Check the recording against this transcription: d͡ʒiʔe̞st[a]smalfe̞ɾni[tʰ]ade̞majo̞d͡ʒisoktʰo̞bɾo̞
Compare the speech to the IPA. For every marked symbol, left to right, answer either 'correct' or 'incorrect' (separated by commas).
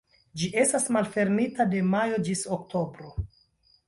correct, incorrect